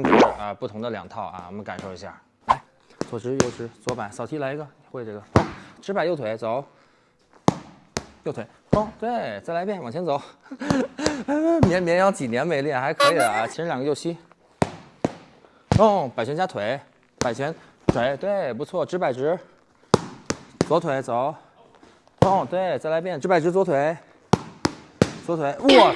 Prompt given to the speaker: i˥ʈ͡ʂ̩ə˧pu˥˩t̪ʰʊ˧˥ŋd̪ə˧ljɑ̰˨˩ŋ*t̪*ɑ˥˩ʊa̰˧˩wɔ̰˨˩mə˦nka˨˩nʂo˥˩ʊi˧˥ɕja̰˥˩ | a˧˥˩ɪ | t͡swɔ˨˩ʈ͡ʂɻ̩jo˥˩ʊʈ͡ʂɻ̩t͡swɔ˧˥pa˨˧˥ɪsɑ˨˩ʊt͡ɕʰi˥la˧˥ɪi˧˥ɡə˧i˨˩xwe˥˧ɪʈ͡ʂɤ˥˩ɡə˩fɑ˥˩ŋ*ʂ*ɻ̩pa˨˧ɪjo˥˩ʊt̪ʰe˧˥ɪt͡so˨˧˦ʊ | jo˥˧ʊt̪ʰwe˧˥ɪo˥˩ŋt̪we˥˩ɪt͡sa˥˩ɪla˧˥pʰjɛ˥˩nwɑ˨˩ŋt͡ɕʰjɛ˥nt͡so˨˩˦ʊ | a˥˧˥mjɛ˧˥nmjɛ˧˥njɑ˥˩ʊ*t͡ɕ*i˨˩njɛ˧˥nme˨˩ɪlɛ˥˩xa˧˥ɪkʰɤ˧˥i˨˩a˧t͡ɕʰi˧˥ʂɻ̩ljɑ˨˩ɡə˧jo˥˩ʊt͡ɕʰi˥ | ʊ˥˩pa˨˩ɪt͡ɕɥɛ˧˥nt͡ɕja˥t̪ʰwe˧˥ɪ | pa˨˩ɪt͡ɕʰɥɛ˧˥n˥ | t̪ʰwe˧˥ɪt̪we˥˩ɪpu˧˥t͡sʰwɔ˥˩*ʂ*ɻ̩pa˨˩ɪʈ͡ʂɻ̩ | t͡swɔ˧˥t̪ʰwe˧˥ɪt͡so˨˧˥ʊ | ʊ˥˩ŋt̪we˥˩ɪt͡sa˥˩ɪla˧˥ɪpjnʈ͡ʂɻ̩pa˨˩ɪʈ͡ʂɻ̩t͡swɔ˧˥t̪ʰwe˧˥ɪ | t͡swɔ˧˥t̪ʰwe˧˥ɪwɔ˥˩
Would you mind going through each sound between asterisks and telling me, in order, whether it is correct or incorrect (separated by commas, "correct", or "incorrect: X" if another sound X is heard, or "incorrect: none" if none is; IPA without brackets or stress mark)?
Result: incorrect: t̪ʰ, incorrect: ʈ͡ʂ, correct, incorrect: ʈ͡ʂ